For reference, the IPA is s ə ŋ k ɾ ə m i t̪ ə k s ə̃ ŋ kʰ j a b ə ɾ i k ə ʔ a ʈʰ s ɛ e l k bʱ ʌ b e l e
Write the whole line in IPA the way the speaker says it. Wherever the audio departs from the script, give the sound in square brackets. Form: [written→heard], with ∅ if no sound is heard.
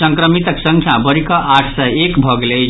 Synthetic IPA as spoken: s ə ŋ k ɾ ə m i t̪ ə k s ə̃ ŋ kʰ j a b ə ɾ i k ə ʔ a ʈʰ s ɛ e [l→∅] k bʱ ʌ [b→ɡ] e l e